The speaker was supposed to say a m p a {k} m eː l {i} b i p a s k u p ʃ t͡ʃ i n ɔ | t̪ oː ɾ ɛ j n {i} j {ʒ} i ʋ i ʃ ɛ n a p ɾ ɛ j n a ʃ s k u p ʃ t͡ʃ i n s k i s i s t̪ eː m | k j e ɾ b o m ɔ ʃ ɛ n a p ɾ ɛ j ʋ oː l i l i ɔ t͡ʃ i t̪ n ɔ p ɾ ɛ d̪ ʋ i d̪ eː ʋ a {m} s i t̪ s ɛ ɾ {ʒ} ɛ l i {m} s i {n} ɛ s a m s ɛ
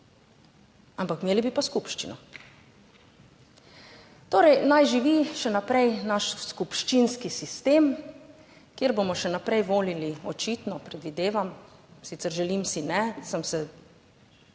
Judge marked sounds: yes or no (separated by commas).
yes, yes, no, yes, yes, yes, yes, yes